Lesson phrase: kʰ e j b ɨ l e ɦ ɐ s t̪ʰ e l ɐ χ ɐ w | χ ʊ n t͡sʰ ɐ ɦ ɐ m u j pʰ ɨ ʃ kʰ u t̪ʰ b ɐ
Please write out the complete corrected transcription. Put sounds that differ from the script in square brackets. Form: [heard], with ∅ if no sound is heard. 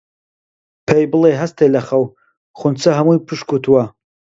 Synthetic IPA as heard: [pʰ] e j b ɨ l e ɦ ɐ s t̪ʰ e l ɐ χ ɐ w | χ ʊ n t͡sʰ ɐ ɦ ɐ m u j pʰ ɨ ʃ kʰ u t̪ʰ [w] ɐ